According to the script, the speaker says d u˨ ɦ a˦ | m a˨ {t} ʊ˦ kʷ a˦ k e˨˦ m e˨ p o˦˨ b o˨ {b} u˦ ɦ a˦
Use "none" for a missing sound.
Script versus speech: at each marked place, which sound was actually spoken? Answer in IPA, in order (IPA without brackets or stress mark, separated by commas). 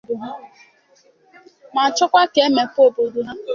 t͡ʃ, d